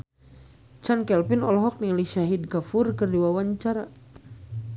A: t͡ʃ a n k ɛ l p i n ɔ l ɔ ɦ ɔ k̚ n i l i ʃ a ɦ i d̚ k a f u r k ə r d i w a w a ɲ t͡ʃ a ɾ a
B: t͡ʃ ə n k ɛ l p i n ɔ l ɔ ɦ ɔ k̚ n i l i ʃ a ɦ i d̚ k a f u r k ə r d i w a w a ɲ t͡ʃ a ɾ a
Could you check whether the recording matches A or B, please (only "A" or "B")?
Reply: A